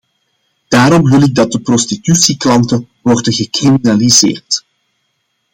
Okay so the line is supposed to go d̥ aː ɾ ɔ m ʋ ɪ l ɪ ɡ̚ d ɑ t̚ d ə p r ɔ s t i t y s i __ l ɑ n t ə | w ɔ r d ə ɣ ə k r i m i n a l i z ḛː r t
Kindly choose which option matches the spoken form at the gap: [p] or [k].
k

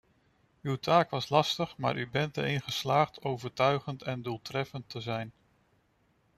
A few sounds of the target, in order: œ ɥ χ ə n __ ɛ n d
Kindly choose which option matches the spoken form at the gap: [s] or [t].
t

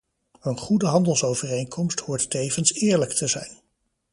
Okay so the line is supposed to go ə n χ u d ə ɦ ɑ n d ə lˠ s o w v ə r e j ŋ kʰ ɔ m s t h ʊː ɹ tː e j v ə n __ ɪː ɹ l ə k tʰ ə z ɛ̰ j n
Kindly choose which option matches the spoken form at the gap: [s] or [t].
s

